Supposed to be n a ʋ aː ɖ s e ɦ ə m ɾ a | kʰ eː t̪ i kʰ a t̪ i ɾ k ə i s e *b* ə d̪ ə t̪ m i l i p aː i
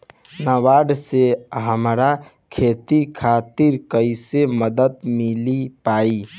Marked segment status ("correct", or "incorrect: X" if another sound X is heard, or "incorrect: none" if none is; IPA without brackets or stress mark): incorrect: m